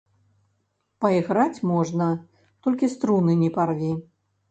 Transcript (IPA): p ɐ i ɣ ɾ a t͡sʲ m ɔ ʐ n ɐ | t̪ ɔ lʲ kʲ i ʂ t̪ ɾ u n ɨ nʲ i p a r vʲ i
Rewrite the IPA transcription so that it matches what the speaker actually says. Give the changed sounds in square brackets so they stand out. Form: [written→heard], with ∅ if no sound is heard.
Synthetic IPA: p ɐ i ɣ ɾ a t͡sʲ m ɔ ʐ n ɐ | t̪ ɔ lʲ kʲ i [ʂ→s] t̪ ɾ u n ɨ nʲ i p a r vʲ i